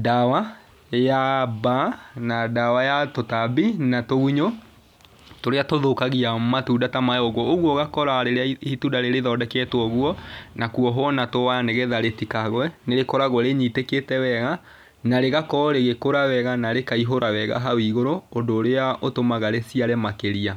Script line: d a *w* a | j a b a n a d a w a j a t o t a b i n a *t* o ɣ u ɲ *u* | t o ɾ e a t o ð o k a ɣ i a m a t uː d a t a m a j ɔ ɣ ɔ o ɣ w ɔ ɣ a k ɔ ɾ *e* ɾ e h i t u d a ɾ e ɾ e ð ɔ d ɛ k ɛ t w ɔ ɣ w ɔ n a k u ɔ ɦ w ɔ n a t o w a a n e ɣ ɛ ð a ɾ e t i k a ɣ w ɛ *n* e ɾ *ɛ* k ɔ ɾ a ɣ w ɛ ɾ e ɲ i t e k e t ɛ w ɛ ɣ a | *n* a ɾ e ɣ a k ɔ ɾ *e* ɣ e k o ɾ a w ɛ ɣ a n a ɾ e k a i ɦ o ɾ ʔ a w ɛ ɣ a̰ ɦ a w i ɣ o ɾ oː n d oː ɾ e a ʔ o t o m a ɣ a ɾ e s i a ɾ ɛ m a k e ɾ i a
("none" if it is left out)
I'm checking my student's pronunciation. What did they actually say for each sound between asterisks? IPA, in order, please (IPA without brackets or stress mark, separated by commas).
w, t, o, a, n, e, n, e